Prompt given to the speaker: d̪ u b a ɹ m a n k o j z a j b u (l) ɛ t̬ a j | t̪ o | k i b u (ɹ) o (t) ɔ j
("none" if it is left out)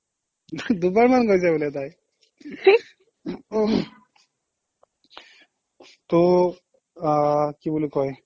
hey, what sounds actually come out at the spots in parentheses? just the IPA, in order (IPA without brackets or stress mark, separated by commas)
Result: l, l, k